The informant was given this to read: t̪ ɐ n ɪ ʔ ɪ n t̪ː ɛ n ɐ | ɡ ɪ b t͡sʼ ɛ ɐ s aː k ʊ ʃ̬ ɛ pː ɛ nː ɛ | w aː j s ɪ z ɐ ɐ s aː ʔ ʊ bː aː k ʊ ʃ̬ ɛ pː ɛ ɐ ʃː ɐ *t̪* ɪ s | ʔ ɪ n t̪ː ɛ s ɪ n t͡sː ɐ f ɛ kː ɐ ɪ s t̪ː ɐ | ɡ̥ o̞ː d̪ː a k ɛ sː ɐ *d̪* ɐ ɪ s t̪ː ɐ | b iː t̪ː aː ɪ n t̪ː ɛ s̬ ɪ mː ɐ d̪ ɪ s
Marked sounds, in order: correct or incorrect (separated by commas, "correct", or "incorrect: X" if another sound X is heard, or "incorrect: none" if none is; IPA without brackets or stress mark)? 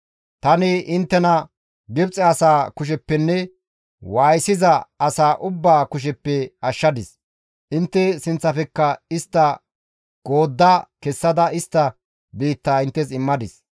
incorrect: d̪, correct